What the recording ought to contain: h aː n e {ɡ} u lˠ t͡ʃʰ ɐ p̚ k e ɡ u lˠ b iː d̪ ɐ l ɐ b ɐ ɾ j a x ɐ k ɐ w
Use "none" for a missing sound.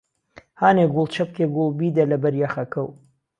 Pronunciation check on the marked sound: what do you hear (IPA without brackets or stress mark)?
ɡ